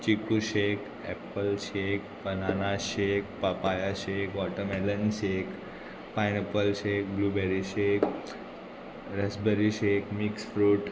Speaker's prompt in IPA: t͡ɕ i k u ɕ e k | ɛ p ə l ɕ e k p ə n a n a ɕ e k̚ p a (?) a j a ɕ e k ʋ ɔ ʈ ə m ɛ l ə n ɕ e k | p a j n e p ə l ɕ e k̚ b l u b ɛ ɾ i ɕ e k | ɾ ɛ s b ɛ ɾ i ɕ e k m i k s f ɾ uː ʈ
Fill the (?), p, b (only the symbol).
p